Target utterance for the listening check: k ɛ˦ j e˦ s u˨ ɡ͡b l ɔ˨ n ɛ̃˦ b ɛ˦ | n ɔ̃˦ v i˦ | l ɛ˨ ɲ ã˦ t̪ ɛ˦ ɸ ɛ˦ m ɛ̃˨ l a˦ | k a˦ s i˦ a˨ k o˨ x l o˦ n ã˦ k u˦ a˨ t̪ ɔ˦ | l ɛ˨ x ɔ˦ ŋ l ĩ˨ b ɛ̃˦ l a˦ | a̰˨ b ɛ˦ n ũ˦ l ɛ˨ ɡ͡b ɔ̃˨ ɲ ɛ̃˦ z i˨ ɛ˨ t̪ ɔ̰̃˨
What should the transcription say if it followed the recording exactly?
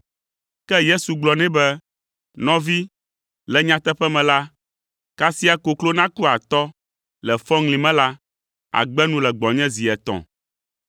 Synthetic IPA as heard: k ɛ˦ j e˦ s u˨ ɡ͡b l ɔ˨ n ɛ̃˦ b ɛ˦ | n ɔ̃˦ v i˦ | l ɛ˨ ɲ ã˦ t̪ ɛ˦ ɸ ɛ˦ m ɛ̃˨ l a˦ | k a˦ s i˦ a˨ k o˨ k l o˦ n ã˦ k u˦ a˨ t̪ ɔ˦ | l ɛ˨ f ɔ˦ ŋ l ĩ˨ m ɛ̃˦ l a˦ | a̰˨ ɡ͡b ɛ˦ n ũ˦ l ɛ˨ ɡ͡b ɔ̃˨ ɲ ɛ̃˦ z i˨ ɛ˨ t̪ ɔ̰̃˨